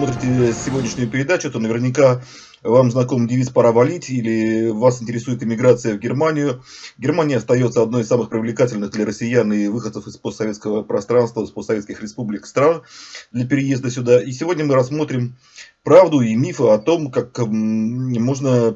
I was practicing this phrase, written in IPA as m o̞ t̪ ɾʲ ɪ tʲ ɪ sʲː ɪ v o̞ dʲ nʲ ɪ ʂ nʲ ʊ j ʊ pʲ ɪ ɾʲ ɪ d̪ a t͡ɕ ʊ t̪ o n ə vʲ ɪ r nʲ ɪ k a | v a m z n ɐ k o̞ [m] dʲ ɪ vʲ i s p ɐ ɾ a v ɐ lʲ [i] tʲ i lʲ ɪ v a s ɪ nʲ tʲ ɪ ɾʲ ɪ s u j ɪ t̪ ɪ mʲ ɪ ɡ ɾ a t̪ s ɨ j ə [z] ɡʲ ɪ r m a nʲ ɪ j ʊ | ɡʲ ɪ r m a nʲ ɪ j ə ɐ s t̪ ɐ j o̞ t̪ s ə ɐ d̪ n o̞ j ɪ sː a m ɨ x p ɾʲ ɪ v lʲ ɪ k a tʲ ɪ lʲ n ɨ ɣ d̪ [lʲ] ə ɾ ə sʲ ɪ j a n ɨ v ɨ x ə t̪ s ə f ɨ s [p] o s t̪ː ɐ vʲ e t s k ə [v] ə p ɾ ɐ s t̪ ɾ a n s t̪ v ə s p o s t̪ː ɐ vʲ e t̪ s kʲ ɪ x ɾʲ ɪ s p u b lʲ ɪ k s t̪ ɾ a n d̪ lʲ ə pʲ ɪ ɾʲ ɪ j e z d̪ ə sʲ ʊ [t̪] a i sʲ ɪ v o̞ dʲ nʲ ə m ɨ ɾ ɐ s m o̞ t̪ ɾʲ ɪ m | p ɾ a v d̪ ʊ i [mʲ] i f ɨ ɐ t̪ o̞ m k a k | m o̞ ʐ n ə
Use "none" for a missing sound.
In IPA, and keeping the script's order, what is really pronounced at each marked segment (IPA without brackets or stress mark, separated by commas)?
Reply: m, i, v, lʲ, p, v, d̪, mʲ